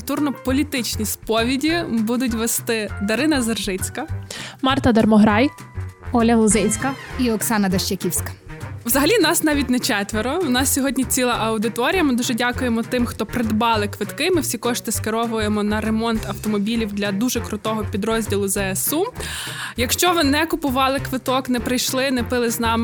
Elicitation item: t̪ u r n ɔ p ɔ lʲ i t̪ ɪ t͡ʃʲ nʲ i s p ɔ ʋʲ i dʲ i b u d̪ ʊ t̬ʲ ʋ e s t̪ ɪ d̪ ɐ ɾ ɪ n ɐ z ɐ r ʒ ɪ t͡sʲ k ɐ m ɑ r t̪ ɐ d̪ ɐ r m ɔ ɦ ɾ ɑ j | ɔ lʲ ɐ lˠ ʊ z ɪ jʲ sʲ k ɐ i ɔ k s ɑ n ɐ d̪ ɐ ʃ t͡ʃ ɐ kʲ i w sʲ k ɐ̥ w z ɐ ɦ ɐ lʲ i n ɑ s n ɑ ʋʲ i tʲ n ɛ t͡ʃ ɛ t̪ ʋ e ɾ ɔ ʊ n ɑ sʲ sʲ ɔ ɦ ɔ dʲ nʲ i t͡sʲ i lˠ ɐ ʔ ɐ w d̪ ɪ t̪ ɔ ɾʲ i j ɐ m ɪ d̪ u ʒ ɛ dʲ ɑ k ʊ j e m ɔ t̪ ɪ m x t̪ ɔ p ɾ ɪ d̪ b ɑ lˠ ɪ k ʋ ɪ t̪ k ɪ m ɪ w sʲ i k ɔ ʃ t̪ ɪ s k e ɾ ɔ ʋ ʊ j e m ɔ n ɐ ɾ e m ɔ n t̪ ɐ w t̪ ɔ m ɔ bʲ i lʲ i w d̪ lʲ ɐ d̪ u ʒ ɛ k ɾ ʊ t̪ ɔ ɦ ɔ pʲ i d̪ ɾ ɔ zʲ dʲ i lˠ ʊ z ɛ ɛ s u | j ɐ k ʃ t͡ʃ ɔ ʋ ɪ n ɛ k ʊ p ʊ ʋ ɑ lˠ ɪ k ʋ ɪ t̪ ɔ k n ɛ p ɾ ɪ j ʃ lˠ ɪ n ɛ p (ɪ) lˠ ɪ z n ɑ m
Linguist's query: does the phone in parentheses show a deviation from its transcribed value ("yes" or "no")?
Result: no